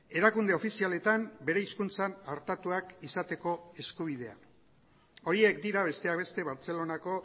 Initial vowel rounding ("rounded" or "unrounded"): unrounded